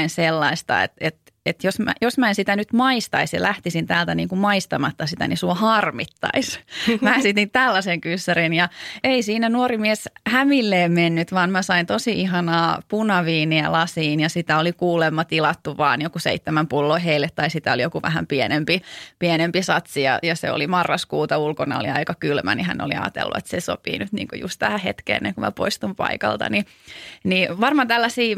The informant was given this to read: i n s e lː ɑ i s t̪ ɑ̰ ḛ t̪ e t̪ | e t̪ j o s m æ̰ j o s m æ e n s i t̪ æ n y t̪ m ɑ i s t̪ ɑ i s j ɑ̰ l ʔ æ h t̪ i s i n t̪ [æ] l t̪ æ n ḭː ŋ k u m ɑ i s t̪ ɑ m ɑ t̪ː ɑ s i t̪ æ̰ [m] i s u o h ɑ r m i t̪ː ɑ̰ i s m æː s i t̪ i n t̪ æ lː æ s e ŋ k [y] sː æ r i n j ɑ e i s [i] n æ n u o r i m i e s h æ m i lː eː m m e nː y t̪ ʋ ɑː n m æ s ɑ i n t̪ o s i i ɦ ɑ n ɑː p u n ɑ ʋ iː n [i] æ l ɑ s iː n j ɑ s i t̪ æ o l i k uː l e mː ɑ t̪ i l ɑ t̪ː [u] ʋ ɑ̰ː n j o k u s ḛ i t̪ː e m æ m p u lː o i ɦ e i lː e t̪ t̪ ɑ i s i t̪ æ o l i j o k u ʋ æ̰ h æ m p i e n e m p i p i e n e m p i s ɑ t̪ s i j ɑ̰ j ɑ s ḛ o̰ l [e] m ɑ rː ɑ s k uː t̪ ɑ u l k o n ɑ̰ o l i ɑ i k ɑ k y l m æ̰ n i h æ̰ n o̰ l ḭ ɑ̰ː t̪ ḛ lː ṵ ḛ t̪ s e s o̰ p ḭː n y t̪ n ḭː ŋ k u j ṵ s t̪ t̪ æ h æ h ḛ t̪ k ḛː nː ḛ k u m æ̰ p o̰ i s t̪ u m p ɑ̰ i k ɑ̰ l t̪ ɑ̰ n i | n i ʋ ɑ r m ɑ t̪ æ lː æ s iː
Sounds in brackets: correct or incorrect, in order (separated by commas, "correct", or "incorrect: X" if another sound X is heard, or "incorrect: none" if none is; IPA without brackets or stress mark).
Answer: incorrect: æː, incorrect: n, correct, incorrect: iː, correct, correct, incorrect: i